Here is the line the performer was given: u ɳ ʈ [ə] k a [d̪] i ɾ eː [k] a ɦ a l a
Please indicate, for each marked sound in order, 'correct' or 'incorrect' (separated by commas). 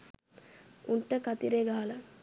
correct, incorrect, incorrect